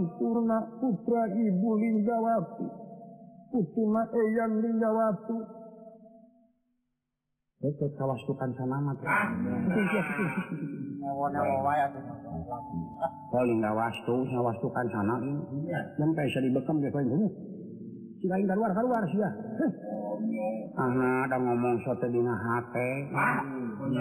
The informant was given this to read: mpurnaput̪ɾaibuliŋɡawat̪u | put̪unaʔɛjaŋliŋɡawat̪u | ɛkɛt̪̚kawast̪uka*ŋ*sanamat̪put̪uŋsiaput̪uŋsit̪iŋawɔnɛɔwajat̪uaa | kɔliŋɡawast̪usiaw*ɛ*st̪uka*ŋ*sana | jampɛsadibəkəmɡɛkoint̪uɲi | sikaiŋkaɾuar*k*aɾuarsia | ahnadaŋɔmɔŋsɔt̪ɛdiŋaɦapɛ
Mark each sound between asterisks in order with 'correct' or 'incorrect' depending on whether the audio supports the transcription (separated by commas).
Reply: incorrect, incorrect, incorrect, correct